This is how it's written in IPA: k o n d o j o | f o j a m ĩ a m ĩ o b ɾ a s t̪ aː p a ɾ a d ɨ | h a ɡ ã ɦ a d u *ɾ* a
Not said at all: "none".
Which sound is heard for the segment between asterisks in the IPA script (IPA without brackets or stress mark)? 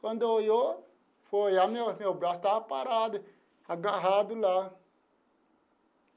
l